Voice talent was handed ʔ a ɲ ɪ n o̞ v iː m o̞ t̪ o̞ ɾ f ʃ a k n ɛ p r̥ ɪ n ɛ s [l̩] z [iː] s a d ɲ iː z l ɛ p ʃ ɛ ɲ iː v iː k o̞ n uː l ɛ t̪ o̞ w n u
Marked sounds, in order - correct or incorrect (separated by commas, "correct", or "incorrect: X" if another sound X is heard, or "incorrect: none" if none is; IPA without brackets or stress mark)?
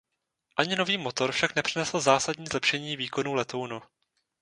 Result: correct, incorrect: aː